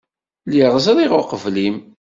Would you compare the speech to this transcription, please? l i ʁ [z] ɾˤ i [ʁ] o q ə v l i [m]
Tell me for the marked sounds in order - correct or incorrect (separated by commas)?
correct, correct, correct